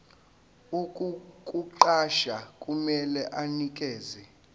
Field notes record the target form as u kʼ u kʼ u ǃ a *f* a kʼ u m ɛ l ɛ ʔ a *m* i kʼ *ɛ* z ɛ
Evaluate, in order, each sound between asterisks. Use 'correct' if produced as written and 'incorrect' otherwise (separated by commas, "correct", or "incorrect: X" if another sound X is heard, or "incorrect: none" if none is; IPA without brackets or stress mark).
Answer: incorrect: ʃ, incorrect: n, incorrect: ɛː